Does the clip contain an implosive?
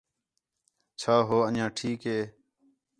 no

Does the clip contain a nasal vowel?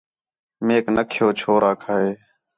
no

